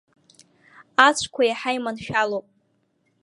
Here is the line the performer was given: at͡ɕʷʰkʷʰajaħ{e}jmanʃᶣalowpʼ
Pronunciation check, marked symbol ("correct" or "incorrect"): incorrect